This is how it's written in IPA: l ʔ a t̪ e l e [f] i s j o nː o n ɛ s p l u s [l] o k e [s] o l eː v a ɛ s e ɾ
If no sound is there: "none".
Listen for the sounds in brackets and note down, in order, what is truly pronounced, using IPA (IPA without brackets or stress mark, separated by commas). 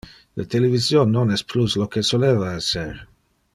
v, l, s